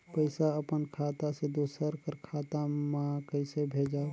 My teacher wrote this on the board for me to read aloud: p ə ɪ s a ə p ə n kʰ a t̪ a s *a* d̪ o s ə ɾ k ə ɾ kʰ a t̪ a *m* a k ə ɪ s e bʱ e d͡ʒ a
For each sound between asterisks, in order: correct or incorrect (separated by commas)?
incorrect, correct